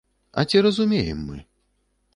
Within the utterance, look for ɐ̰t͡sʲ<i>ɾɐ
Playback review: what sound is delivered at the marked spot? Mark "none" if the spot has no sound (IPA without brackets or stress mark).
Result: i